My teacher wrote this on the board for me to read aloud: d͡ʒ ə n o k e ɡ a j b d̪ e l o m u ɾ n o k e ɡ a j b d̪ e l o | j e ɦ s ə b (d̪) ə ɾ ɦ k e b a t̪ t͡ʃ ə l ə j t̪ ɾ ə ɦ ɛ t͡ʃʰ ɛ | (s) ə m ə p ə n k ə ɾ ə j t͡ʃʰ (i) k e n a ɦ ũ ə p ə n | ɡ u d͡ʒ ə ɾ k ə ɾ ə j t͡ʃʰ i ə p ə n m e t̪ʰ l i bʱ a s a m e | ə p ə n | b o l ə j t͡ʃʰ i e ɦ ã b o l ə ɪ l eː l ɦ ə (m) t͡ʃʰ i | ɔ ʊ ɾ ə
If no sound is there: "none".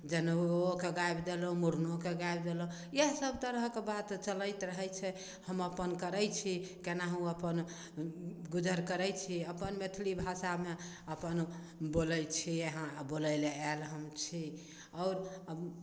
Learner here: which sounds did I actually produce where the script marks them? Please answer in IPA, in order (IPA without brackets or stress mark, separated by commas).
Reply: t̪, h, i, m